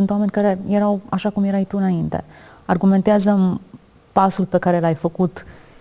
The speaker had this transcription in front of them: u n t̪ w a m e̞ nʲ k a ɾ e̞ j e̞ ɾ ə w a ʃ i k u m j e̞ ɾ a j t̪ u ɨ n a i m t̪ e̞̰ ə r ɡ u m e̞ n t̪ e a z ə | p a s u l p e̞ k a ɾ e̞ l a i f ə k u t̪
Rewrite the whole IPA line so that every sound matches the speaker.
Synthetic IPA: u n t̪ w a m e̞ nʲ k a ɾ e̞ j e̞ ɾ a w a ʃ a k u m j e̞ ɾ a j t̪ u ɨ n a i n t̪ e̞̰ a r ɡ u m e̞ n t̪ e a z ə | p a s u l p e̞ k a ɾ e̞ l a j f ə k u t̪